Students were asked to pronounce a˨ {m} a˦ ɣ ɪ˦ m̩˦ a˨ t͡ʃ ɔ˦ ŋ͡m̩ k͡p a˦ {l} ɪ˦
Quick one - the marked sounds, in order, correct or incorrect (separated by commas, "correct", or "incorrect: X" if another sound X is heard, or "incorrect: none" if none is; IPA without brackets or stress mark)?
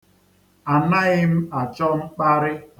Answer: incorrect: n, incorrect: ɾ